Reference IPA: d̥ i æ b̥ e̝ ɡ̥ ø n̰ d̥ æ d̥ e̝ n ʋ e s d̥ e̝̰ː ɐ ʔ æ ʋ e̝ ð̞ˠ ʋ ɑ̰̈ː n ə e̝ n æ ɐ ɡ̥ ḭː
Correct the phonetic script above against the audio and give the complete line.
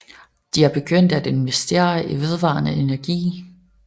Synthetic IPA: d̥ i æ b̥ e̝ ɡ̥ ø n̰ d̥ æ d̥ e̝ n ʋ e s d̥ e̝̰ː ɐ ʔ i ʋ e̝ ð̞ˠ ʋ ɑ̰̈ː n ə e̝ n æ ɐ ɡ̥ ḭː